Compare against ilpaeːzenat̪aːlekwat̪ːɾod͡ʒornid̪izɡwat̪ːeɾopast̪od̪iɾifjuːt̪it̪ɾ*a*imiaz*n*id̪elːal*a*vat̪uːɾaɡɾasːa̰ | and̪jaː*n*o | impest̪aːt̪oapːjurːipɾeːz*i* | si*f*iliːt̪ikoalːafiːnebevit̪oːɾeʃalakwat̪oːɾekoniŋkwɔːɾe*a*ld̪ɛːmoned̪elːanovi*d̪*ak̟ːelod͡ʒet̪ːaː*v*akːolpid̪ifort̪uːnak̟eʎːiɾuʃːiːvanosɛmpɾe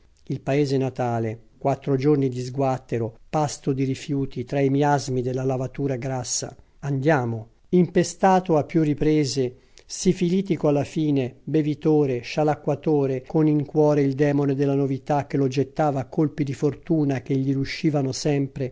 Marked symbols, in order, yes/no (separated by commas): yes, no, yes, no, no, yes, no, no, yes